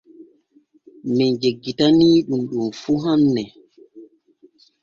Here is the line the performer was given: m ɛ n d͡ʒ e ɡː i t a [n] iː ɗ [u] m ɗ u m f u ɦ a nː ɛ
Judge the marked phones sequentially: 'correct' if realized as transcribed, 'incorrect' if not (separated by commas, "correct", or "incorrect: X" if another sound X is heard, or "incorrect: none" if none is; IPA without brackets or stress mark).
correct, correct